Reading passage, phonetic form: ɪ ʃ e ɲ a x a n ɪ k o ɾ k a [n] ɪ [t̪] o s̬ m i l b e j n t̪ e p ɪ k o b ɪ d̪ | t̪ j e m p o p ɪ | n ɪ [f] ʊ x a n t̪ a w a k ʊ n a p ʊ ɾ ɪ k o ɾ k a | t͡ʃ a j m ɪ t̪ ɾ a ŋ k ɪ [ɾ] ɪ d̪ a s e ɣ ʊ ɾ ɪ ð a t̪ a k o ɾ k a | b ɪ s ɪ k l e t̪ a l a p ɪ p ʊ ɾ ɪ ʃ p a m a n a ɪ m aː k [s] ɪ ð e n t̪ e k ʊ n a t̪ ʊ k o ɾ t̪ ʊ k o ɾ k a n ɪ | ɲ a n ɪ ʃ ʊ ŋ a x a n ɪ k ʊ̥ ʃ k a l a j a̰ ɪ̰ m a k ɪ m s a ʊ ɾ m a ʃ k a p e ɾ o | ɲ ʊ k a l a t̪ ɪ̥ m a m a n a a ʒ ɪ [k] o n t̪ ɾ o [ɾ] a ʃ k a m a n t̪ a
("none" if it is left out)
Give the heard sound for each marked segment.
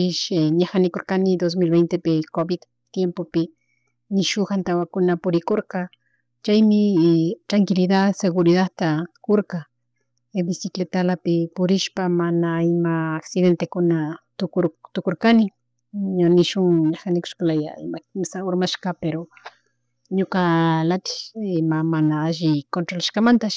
n, d̪, ʃ, l, s, k, l

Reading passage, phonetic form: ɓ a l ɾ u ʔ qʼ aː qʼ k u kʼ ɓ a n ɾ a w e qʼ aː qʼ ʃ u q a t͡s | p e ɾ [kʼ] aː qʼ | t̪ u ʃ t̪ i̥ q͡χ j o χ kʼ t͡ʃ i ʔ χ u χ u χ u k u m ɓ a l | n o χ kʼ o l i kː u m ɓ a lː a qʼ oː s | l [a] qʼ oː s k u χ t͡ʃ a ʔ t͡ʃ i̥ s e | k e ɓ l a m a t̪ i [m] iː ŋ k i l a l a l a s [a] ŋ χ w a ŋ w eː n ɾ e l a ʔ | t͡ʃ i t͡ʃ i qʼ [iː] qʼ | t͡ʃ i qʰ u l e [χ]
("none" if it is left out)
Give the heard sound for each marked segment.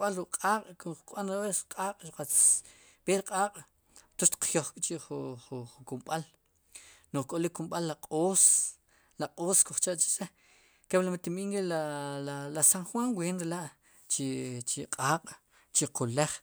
qʼ, a, m, a, aː, χ

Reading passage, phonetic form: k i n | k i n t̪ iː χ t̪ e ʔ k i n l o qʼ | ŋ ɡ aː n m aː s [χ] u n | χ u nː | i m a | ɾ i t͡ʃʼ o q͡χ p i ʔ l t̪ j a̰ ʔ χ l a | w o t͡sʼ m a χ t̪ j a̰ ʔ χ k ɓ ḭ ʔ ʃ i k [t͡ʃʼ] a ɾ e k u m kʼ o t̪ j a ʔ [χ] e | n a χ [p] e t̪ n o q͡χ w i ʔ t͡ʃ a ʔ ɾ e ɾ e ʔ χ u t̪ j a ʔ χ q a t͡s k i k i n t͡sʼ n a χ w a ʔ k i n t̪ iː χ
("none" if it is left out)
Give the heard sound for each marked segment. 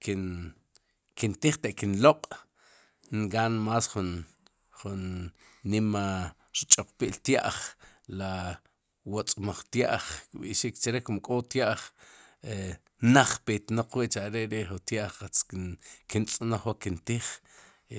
χ, t͡ʃ, χ, p

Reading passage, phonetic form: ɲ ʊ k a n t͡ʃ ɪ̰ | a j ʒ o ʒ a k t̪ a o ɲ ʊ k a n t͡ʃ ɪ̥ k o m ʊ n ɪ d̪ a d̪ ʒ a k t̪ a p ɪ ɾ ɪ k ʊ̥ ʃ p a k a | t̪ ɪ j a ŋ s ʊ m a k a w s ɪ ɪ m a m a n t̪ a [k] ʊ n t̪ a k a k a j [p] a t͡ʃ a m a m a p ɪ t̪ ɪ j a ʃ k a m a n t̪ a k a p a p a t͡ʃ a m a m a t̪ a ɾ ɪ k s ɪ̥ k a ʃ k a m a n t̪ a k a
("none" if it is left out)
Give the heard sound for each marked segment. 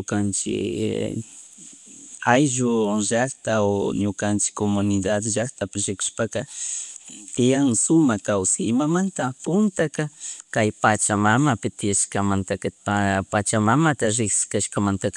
p, p

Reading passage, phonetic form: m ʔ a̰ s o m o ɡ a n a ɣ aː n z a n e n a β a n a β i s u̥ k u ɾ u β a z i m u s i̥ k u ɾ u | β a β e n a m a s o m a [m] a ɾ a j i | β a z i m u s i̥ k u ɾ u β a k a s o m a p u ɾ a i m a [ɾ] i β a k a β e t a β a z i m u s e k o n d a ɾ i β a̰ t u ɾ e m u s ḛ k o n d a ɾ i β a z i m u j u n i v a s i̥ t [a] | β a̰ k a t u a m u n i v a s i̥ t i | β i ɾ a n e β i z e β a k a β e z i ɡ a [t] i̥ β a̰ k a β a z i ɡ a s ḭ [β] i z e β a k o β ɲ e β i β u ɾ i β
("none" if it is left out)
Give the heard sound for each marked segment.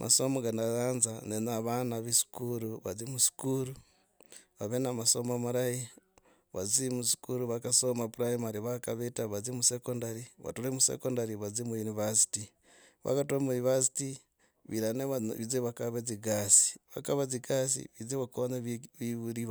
m, ɾ, i, s, β

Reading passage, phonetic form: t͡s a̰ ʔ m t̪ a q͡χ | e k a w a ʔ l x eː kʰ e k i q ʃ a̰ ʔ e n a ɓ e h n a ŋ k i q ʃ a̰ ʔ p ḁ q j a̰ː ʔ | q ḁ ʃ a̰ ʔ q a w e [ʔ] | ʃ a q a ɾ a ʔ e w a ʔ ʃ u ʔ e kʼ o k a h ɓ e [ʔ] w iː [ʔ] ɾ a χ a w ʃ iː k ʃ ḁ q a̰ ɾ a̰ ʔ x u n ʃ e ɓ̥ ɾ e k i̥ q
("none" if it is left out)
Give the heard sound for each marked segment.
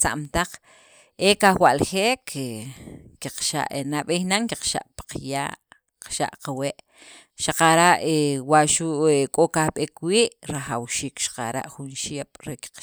ʔ, k, ʔ

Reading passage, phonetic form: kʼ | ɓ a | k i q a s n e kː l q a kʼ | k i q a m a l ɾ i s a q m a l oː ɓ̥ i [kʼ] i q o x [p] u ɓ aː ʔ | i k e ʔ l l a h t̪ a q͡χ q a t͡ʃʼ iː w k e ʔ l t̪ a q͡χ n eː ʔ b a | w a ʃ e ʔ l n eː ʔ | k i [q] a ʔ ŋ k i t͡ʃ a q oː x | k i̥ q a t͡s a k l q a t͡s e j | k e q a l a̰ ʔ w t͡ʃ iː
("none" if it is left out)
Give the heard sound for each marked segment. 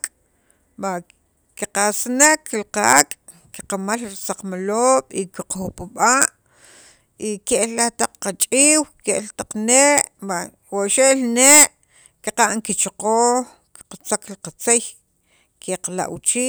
k, p, q

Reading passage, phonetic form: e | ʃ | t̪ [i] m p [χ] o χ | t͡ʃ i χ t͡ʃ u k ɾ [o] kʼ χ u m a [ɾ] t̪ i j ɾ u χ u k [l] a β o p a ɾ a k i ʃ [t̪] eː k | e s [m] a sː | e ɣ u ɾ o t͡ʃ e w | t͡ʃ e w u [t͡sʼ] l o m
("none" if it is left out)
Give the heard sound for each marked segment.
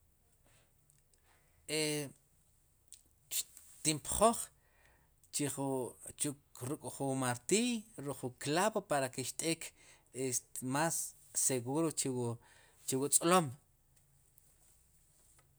i, χ, u, ɾ, l, t̪ʼ, m, t͡sʼ

